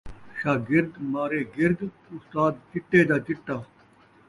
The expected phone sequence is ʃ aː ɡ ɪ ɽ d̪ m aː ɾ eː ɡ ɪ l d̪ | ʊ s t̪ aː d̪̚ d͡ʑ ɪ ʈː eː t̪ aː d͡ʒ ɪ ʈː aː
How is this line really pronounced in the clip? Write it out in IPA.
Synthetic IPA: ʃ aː ɡ ɪ ɾ d̪ m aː ɾ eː ɡ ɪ ɾ d̪ | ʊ s t̪ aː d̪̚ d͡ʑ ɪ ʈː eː d̪ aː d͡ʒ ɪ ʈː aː